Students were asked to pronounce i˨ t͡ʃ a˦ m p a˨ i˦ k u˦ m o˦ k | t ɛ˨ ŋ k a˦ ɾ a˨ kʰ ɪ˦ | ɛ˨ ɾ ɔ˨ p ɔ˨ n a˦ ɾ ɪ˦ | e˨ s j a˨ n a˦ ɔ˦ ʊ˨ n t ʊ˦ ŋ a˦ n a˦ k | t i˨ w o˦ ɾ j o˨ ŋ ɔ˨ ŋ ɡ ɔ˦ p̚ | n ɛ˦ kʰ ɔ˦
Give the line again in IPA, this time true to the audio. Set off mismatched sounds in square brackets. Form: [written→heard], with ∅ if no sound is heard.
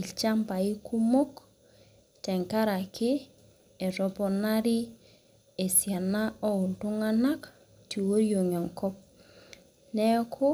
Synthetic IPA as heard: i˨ t͡ʃ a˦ m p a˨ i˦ k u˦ m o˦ k | t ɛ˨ ŋ k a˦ ɾ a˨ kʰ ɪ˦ | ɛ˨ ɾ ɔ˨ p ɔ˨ n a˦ ɾ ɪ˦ | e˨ s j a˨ n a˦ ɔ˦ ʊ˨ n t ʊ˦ ŋ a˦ n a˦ k | t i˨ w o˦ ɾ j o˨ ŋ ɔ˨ ŋ [ɡ→k] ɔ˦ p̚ | n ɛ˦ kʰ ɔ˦

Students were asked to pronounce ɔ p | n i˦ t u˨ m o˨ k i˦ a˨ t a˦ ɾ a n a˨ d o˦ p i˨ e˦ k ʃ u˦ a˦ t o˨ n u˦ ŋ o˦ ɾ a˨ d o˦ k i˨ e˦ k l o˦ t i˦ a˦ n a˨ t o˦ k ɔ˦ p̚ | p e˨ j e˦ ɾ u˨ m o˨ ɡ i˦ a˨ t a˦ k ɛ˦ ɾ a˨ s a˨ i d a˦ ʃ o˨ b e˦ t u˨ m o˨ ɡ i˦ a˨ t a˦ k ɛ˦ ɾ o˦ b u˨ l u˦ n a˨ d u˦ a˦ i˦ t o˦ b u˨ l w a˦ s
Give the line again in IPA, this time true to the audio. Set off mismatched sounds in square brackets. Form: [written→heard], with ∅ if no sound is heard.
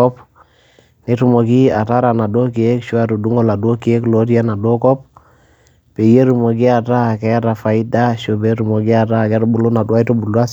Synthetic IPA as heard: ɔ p | n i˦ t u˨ m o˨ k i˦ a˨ t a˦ ɾ a n a˨ d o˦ [p→k] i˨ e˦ k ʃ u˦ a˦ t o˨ [n→d] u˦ ŋ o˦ [ɾ→l] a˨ d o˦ k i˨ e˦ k l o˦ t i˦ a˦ n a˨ [t→d] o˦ k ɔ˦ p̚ | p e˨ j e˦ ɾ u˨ m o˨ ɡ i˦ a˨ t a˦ k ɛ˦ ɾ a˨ [s→f] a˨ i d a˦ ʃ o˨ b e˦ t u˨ m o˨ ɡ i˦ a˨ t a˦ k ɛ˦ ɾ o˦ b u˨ l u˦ n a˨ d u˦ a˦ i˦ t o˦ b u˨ l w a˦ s

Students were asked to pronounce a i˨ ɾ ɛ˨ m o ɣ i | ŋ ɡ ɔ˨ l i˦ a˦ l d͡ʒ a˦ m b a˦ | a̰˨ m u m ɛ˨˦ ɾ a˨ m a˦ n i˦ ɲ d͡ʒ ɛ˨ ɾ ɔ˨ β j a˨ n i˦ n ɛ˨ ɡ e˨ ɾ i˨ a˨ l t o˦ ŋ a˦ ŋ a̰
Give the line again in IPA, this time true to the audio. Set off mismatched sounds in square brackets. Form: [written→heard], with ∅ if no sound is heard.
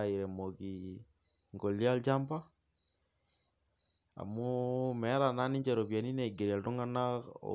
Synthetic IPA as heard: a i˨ ɾ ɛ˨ m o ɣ i | ŋ ɡ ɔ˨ l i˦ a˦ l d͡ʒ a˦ m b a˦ | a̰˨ m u m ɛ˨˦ ɾ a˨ [m→n] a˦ n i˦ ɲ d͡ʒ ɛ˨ ɾ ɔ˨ β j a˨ n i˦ n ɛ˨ ɡ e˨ ɾ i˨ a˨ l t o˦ ŋ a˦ [ŋ→n] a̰

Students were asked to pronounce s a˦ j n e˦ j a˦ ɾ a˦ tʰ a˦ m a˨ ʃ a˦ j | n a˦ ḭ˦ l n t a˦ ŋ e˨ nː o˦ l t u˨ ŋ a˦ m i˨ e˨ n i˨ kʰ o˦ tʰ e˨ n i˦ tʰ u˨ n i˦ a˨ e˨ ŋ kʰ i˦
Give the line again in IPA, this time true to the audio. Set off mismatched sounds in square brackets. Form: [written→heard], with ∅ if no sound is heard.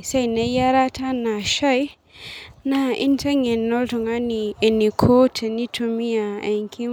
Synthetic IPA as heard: s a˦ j n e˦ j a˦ ɾ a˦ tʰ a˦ [m→n] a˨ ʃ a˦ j | n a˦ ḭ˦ [l→∅] n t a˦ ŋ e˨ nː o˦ l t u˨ ŋ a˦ [m→n] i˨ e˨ n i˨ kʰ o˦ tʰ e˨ n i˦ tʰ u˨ [n→m] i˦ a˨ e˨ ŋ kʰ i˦

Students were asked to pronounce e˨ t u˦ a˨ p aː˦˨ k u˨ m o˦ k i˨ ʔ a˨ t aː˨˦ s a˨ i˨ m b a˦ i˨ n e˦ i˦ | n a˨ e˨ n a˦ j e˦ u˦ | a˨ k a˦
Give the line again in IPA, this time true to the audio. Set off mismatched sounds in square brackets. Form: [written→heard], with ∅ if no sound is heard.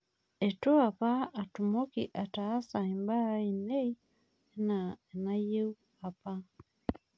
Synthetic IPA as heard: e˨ t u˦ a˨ p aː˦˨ [k→t] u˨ m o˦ k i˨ ʔ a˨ t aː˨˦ s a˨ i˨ m b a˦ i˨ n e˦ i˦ | n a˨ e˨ n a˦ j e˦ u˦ | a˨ [k→p] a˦

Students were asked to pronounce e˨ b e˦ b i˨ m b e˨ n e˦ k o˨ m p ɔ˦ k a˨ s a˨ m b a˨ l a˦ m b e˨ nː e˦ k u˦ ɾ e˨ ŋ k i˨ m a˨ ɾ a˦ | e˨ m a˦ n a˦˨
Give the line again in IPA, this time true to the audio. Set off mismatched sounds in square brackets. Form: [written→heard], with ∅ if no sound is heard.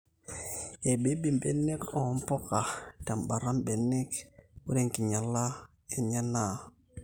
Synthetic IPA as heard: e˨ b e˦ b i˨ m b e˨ n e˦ k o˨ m p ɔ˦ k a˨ [s→t] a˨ m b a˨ [l→ɾ] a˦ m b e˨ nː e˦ k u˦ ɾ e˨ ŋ k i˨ [m→ɲ] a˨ [ɾ→l] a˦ | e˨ [m→ɲ] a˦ n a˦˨

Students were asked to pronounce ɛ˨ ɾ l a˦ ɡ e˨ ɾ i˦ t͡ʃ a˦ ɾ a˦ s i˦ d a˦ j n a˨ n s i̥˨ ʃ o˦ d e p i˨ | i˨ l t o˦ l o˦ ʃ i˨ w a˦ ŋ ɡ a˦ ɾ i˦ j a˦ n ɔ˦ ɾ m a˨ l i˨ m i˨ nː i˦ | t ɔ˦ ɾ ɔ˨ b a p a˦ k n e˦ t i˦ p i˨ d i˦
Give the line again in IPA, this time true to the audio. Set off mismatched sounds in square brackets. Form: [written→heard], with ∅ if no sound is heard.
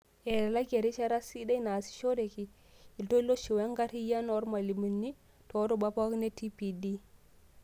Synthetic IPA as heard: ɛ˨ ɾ l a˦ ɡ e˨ ɾ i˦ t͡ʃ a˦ ɾ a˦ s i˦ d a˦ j n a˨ [n→∅] s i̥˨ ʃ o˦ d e [p→k] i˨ | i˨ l t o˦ l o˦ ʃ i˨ w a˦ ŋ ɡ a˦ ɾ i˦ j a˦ n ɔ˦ ɾ m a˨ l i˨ m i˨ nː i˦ | t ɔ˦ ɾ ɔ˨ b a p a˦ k n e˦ t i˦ p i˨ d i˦

